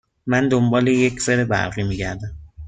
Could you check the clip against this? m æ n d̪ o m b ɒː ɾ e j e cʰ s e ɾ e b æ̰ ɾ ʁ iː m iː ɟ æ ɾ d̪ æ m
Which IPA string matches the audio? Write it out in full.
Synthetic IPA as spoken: m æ n d̪ o m b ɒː l e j e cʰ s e ɾ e b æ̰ ɾ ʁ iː m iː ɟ æ ɾ d̪ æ m